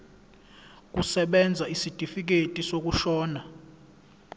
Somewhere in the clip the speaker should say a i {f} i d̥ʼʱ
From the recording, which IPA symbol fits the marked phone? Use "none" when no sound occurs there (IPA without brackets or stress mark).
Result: s